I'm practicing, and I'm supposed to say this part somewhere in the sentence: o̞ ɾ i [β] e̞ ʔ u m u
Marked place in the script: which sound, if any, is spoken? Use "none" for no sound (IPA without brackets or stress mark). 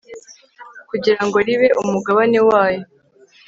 β